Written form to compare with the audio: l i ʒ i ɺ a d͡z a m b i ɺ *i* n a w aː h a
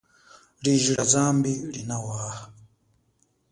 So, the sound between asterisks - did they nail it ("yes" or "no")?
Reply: yes